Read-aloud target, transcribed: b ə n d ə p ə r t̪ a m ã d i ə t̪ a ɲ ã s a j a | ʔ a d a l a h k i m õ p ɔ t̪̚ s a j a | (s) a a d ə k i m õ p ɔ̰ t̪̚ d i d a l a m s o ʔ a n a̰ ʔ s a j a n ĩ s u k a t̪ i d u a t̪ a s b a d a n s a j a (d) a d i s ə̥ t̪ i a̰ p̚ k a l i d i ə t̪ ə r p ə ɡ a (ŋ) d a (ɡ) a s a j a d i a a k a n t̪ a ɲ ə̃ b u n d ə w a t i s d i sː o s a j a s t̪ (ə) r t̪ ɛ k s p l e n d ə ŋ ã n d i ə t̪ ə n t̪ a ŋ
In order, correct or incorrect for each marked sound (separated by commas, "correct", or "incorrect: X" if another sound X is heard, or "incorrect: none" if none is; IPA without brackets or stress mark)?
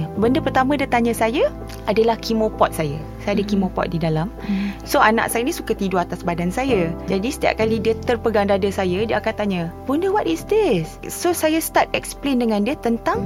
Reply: correct, incorrect: d͡ʒ, correct, incorrect: d, incorrect: a